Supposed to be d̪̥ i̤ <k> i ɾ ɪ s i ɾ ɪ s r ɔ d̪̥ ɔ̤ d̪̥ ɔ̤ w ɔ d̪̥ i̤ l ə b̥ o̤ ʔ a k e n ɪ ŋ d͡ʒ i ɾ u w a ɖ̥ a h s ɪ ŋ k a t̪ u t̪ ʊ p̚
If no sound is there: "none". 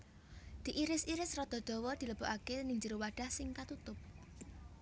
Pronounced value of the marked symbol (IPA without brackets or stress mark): ʔ